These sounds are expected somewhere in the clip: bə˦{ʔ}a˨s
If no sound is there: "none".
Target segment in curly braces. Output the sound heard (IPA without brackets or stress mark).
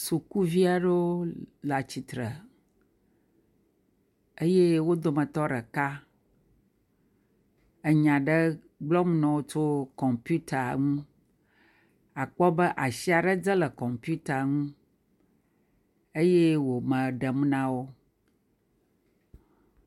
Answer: ʔ